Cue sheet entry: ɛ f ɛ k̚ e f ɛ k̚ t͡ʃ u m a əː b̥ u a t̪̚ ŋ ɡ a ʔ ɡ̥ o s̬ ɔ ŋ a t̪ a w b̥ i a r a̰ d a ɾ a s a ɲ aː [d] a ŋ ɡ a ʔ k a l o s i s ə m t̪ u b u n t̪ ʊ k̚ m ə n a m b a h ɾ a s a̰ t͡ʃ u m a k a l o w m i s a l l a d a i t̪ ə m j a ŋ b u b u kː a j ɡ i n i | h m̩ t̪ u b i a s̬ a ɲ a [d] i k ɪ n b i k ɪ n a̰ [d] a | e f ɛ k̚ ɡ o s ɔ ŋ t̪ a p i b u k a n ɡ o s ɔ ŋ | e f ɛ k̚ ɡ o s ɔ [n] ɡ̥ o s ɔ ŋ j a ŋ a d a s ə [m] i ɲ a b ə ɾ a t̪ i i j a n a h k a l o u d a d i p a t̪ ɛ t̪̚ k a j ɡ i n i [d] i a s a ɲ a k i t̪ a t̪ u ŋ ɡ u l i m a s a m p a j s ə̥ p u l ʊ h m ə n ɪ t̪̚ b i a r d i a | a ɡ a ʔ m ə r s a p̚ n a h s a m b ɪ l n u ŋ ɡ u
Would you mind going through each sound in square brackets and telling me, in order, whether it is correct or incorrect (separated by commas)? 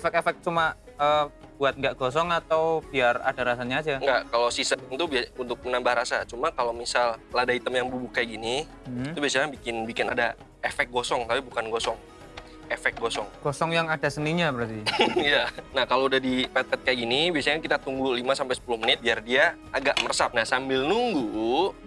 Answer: incorrect, incorrect, correct, incorrect, incorrect, incorrect